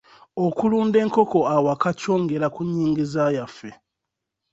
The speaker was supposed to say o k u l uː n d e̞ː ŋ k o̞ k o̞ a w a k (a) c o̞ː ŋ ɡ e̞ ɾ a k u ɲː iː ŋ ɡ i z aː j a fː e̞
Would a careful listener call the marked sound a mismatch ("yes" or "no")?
no